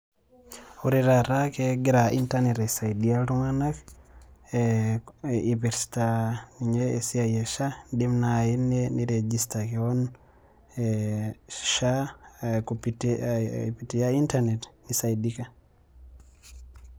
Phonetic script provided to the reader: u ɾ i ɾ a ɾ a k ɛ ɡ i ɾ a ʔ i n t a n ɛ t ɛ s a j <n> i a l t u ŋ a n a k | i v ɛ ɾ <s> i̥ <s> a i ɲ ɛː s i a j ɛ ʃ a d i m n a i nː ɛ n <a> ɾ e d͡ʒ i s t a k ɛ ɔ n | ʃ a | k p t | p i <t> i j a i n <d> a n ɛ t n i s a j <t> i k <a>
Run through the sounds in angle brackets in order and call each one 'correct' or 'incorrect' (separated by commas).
incorrect, correct, incorrect, incorrect, correct, incorrect, incorrect, correct